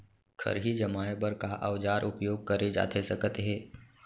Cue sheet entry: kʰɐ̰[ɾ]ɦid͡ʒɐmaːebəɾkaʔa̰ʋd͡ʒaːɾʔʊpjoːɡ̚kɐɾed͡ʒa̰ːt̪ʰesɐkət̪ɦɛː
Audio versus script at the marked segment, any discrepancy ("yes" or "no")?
no